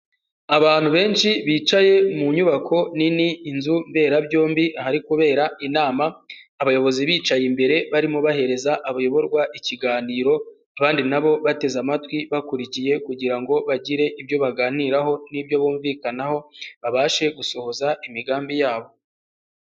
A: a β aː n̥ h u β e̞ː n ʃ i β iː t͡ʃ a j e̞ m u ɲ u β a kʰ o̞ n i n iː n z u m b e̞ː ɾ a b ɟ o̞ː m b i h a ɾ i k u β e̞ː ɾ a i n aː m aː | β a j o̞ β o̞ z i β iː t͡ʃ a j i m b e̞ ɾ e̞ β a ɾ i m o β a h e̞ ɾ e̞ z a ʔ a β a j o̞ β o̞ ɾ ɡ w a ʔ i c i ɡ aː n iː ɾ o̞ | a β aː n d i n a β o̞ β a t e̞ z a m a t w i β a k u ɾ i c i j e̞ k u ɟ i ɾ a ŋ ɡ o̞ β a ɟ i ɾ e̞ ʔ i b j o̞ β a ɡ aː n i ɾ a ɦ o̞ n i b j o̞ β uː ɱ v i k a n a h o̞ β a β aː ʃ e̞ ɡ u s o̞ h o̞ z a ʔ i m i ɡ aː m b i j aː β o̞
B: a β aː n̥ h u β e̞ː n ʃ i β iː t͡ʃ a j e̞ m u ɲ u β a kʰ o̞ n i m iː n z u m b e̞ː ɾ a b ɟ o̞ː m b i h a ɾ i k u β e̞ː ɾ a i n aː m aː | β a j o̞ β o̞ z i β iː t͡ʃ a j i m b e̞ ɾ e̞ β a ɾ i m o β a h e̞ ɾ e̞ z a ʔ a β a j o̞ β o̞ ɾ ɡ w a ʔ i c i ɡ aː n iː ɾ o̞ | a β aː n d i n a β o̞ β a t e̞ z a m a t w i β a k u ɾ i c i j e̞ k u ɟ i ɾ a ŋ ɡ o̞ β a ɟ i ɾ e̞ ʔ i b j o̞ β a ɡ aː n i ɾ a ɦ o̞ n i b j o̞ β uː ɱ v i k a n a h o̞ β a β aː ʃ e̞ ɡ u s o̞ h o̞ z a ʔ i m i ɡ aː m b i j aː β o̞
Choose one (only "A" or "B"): A